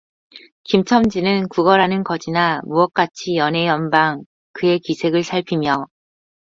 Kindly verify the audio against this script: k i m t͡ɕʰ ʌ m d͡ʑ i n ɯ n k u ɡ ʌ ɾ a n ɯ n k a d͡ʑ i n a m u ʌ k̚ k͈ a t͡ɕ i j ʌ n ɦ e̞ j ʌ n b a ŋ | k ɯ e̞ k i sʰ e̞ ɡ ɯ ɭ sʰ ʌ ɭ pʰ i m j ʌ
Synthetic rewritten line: k i m t͡ɕʰ ʌ m d͡ʑ i n ɯ n k u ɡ ʌ ɾ a n ɯ n k ʌ d͡ʑ i n a m u ʌ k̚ k͈ a t͡ɕʰ i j ʌ n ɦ e̞ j ʌ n b a ŋ | k ɯ e̞ k i sʰ e̞ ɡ ɯ ɭ sʰ a ɭ pʰ i m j ʌ